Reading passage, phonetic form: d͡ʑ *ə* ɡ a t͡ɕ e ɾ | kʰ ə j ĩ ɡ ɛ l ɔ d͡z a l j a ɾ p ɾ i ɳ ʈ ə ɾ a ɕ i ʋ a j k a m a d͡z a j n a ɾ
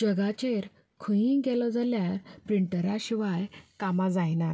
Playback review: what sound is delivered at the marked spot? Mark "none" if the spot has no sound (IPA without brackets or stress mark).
ə